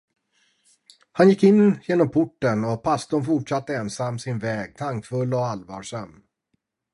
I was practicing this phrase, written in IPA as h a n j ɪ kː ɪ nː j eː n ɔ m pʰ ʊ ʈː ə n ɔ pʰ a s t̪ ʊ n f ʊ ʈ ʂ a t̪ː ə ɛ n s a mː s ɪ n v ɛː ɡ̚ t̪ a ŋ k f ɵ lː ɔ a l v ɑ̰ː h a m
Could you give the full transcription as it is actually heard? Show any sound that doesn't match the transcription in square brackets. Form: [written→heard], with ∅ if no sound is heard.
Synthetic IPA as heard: h a n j ɪ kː ɪ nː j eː n ɔ m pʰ ʊ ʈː ə n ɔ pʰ a s t̪ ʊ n f ʊ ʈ ʂ a t̪ː ə ɛ n s a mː s ɪ n v ɛː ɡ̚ [t̪→t̪ʰ] a ŋ k f ɵ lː ɔ a l v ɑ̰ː [h→ʂ] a m